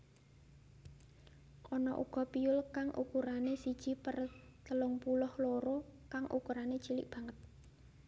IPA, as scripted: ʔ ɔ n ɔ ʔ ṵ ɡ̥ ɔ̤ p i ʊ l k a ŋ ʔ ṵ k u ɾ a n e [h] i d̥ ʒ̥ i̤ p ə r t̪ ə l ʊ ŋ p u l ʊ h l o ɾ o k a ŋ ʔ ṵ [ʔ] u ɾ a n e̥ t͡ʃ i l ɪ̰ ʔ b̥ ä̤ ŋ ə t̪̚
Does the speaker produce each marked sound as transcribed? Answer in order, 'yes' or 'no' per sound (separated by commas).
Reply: no, no